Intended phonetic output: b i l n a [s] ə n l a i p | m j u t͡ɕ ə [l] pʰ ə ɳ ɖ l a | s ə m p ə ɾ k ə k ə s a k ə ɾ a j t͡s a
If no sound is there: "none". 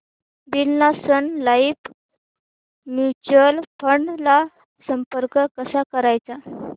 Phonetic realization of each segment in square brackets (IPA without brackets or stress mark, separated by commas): s, l